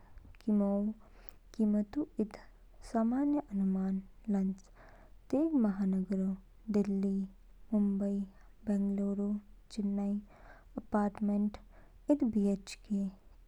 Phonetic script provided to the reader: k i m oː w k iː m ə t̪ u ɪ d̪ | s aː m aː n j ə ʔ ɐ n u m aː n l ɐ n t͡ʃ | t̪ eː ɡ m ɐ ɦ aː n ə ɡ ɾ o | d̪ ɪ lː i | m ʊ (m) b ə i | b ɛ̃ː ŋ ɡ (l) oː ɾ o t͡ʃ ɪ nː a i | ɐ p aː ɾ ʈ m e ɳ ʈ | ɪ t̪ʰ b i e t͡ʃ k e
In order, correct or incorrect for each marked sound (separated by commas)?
correct, correct